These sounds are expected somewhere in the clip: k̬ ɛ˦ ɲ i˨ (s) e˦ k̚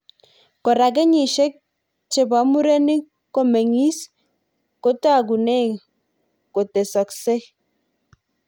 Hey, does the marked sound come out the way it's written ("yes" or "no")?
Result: no